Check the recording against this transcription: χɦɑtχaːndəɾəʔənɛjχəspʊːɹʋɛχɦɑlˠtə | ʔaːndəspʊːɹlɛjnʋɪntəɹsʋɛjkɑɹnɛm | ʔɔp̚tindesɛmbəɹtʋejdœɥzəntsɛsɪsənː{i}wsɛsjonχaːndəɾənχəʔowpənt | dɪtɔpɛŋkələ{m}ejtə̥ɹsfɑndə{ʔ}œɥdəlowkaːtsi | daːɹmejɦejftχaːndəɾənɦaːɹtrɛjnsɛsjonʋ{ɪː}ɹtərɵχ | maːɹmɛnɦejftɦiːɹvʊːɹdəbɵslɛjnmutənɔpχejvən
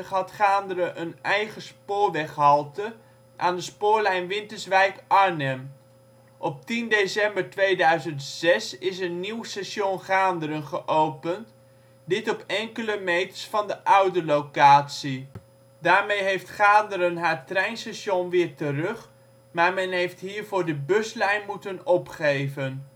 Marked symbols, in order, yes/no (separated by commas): yes, yes, yes, yes